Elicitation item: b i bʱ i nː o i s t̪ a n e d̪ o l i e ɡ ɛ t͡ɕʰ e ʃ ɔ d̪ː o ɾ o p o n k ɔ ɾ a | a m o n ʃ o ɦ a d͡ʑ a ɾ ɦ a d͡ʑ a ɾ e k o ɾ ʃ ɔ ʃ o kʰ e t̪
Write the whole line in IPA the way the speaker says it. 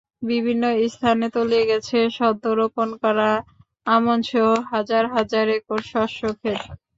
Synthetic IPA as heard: b i bʱ i nː o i s t̪ʰ a n e t̪ o l i e ɡ ɛ t͡ɕʰ e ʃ ɔ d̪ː o ɾ o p o n k ɔ ɾ a | a m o n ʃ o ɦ a d͡ʑ a ɾ ɦ a d͡ʑ a ɾ e k o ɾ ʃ ɔ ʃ o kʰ e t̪